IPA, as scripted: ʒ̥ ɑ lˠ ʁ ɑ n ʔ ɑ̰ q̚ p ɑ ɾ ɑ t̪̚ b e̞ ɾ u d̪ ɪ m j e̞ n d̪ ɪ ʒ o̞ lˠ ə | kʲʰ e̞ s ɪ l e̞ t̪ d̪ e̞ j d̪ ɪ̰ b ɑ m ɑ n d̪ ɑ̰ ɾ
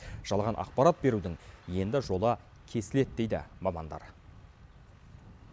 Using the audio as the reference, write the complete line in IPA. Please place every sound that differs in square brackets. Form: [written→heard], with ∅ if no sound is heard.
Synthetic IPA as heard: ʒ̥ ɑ lˠ ʁ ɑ n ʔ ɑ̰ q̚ p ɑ ɾ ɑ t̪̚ b e̞ ɾ u d̪ ɪ [m→ŋ] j e̞ n d̪ ɪ ʒ o̞ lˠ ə | kʲʰ e̞ s ɪ l e̞ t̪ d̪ e̞ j d̪ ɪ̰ [b→m] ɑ m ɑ n d̪ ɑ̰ ɾ